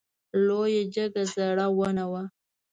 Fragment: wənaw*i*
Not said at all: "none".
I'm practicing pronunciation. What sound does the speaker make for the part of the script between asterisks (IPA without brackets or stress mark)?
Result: a